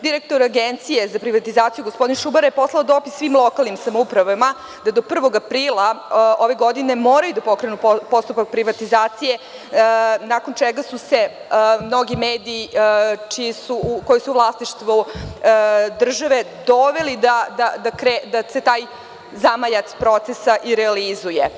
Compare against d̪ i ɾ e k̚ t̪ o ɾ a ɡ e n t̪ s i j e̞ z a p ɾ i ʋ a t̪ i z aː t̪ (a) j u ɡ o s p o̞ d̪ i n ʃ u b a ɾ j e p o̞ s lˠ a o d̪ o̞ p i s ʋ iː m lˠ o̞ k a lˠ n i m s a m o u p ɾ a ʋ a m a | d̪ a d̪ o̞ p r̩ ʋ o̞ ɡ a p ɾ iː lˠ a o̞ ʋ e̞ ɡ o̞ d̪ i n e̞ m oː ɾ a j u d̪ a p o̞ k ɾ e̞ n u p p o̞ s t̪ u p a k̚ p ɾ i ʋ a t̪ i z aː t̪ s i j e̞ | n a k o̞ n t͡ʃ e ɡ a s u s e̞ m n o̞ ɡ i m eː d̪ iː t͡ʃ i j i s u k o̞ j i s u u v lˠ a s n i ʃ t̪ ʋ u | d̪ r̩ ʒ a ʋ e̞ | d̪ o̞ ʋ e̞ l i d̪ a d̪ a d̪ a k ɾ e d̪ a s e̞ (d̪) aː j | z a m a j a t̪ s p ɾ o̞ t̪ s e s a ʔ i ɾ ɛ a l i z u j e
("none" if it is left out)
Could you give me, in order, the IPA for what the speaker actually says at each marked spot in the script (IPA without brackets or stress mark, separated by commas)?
i, t̪